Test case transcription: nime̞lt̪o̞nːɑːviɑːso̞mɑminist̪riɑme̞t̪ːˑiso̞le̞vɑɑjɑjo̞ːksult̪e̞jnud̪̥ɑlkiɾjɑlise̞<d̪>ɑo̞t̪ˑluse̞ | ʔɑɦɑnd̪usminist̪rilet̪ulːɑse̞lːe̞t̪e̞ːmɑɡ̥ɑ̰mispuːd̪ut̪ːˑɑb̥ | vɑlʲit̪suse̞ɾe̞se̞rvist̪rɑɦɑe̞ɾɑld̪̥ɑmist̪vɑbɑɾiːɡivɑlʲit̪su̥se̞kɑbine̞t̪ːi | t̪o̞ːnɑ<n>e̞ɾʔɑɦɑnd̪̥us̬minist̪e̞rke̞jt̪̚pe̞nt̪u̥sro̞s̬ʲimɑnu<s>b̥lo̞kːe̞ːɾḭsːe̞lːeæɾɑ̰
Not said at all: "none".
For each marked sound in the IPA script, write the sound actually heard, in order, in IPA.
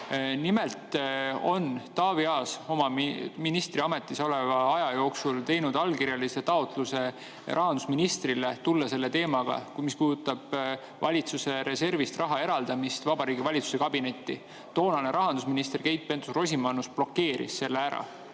t̪, n, s

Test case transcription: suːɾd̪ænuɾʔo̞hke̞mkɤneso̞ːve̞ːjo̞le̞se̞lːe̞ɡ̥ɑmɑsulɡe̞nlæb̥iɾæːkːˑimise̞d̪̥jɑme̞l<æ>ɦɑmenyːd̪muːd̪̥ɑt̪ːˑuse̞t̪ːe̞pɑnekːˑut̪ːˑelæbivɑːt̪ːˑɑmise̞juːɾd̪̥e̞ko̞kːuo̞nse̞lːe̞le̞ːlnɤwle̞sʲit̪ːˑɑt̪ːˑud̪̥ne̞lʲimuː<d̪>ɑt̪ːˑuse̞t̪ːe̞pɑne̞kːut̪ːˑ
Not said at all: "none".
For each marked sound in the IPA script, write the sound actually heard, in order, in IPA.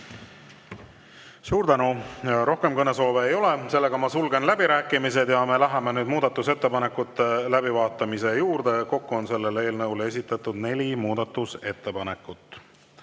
æ, d̪

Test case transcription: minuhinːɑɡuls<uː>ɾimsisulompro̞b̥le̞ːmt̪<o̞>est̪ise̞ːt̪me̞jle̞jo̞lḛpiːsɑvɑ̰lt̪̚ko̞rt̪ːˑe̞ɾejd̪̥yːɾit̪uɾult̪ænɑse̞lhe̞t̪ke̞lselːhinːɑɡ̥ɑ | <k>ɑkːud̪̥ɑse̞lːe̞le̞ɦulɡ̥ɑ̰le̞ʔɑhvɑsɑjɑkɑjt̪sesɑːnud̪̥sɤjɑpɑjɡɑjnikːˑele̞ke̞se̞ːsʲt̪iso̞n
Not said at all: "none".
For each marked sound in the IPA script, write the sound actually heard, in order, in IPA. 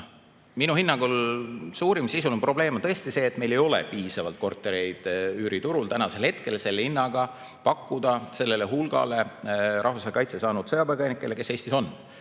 uː, ɤ̞, p

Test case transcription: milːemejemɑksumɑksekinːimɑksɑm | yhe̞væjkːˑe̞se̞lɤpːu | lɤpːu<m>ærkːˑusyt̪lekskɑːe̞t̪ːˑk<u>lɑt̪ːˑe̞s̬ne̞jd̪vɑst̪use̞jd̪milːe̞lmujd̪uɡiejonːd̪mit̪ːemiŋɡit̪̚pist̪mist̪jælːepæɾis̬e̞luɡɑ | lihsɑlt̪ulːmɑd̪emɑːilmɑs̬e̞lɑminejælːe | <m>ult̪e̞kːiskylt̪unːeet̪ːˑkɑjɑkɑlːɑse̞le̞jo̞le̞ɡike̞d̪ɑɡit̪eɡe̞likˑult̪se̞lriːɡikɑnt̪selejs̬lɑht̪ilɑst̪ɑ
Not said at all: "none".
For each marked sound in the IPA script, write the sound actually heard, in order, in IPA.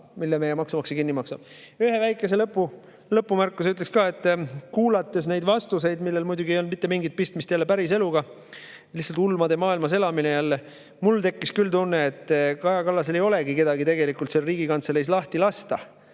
m, uː, m

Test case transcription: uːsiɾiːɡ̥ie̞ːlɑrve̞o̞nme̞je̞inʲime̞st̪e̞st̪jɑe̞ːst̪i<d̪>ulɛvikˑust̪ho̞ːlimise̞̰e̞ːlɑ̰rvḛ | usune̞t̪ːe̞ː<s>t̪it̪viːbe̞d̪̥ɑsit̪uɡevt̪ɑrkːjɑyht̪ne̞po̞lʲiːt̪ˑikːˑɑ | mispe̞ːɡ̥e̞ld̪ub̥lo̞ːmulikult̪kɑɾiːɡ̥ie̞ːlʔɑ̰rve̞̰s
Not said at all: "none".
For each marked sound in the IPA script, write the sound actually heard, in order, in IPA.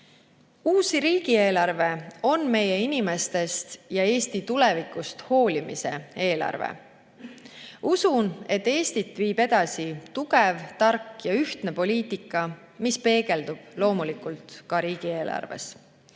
t̪, s

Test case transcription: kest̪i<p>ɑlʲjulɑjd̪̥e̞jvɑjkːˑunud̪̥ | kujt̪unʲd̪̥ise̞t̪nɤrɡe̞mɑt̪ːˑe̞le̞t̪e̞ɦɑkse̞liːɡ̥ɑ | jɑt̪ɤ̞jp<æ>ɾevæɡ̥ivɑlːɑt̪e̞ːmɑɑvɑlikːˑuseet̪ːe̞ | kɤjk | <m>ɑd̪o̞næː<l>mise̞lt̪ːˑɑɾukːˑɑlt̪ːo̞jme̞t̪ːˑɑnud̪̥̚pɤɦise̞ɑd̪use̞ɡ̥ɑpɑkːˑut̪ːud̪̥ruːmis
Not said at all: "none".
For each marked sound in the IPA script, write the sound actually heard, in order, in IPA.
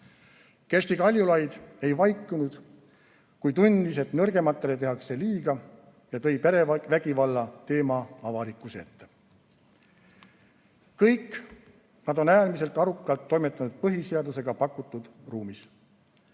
k, e, n, l

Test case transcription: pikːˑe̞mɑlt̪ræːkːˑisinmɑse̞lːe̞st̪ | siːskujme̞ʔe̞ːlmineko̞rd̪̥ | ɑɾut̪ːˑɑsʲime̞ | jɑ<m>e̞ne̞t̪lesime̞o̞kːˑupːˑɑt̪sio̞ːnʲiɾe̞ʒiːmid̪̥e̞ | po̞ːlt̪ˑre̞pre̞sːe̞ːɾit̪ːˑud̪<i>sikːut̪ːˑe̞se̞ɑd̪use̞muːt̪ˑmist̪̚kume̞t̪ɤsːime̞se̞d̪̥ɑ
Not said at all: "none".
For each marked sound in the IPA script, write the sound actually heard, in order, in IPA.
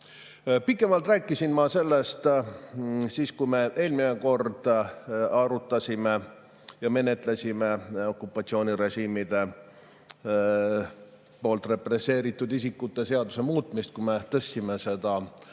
m, i

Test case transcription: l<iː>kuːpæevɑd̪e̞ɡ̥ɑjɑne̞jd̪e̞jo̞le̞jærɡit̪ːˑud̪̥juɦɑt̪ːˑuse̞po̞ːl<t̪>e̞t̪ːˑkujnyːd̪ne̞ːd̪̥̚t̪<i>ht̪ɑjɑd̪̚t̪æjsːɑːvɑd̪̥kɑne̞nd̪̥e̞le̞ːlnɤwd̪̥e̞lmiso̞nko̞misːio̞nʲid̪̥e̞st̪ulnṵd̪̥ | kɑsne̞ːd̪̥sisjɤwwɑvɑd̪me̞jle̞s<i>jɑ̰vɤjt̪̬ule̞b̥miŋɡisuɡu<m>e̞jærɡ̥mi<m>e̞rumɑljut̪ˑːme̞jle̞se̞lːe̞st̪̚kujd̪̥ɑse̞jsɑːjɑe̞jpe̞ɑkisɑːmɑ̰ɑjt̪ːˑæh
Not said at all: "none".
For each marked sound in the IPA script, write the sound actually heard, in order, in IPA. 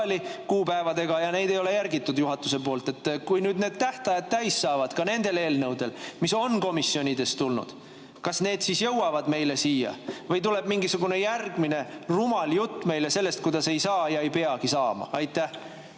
i, t̪, æ, iː, n, n

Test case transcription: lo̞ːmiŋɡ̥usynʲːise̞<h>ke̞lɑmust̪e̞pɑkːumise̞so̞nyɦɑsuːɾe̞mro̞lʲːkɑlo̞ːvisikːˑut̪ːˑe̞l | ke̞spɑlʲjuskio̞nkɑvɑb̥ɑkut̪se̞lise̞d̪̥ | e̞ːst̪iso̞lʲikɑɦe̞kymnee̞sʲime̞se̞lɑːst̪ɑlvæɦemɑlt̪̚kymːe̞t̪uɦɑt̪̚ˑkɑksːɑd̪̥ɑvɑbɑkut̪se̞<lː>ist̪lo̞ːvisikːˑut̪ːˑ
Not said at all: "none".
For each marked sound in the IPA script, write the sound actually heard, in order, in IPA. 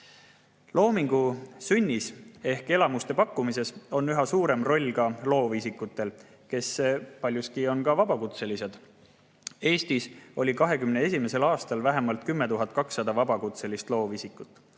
h, l

